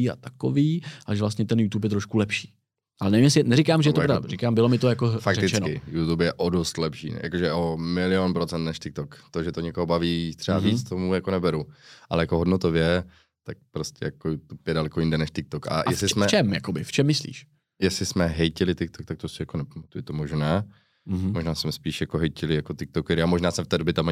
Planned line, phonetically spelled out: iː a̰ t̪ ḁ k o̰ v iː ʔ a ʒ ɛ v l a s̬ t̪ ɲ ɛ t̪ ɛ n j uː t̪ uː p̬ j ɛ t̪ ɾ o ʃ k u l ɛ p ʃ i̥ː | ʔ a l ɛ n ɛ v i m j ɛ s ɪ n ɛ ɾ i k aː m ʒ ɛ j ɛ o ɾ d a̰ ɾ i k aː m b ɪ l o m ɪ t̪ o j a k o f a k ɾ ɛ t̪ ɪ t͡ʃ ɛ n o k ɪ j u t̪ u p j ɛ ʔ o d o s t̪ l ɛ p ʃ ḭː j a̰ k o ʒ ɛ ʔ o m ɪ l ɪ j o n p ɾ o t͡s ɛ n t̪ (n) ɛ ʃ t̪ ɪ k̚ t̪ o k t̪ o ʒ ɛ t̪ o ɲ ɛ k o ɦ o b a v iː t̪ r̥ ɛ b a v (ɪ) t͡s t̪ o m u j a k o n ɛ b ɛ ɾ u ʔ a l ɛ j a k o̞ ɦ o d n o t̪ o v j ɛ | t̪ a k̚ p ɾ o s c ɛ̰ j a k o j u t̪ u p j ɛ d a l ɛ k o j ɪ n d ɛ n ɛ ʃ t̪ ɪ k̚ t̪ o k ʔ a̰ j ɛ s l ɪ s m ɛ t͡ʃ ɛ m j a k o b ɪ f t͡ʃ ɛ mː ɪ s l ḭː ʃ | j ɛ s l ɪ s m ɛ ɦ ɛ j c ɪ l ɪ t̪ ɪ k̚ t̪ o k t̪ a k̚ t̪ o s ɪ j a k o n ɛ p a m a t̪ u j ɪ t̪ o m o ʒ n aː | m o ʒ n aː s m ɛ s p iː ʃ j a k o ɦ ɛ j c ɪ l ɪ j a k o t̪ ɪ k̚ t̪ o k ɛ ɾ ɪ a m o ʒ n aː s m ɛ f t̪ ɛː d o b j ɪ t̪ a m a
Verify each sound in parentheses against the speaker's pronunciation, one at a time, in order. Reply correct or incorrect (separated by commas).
correct, incorrect